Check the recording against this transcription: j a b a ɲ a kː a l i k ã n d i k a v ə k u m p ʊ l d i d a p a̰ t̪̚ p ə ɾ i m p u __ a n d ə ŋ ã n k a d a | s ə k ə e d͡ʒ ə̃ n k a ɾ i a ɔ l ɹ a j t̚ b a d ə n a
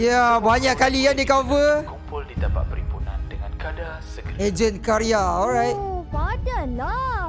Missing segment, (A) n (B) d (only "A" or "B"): A